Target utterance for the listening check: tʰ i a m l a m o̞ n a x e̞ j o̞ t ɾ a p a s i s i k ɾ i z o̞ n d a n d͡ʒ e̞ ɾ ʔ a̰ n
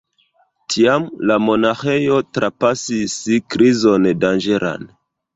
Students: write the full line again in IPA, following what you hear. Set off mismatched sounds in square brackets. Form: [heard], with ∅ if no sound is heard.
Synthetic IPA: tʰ i a m l a m o̞ n a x e̞ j o̞ t ɾ a p a s i s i k ɾ i z o̞ n d a n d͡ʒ e̞ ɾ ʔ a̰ n